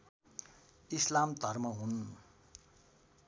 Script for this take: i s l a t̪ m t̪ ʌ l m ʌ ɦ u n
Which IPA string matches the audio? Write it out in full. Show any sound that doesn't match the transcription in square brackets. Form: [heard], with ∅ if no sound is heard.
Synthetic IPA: i s l a [∅] m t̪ ʌ [r] m ʌ ɦ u n